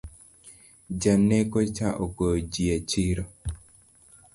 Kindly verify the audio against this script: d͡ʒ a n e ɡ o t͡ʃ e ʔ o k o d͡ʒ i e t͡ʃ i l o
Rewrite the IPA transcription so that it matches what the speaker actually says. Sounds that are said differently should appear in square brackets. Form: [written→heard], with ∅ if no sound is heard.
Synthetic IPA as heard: d͡ʒ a n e [ɡ→k] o t͡ʃ [e→a] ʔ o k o d͡ʒ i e t͡ʃ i [l→ɾ] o